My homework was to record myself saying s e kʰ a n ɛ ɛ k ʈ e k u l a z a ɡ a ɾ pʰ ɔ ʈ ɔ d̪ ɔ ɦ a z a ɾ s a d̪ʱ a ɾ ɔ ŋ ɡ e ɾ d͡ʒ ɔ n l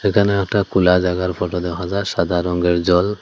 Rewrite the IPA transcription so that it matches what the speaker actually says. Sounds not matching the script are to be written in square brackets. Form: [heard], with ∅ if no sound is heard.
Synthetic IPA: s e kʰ a n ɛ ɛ k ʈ [a] k u l a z a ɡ a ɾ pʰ ɔ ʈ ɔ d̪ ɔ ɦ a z a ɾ s a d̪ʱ a ɾ ɔ ŋ ɡ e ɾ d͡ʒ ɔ [∅] l